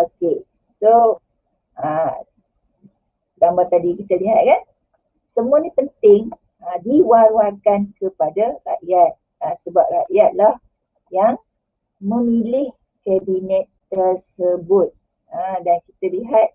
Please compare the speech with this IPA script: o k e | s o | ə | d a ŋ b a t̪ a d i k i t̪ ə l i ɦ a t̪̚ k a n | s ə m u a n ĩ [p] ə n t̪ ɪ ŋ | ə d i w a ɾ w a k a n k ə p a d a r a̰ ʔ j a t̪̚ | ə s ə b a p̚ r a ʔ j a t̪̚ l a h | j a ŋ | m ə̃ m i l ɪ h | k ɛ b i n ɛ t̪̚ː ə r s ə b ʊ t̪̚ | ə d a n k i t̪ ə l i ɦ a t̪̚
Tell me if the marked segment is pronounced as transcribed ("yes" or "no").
yes